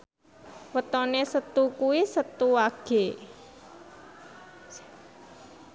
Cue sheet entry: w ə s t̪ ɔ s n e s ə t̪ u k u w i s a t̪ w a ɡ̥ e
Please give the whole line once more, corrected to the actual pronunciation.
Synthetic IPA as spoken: w ə t̪ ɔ n e s ə t̪ u k u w i s ə t̪ u a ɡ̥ e